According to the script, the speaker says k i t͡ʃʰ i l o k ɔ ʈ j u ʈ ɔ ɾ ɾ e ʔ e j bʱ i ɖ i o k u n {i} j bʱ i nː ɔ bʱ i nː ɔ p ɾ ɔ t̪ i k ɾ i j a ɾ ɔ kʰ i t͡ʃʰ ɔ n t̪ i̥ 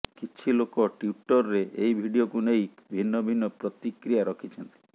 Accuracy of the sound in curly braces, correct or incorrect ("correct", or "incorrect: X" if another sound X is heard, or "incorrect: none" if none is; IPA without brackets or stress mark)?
incorrect: e